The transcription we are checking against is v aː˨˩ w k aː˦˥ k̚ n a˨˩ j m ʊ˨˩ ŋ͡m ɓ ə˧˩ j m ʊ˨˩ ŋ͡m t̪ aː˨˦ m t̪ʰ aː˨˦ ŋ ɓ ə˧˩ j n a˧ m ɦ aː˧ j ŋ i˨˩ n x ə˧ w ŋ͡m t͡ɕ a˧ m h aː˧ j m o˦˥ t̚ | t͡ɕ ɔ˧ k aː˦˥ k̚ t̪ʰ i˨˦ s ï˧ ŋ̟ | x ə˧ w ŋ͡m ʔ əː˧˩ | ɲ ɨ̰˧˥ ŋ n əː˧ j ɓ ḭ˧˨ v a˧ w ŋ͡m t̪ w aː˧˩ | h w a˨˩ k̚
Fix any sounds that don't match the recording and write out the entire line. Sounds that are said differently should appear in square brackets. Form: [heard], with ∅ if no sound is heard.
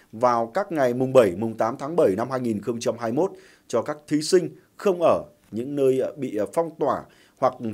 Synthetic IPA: v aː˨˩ w k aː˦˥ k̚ [ŋ] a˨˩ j m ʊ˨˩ ŋ͡m ɓ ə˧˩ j m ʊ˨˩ ŋ͡m t̪ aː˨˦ m t̪ʰ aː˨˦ ŋ ɓ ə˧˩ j n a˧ m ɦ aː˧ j ŋ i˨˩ n x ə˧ w ŋ͡m t͡ɕ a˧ m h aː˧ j m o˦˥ t̚ | t͡ɕ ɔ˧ k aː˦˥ k̚ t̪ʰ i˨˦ s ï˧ ŋ̟ | x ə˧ w ŋ͡m ʔ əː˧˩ | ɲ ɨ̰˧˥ ŋ n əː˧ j ɓ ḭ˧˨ [f] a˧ w ŋ͡m t̪ w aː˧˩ | h w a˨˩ k̚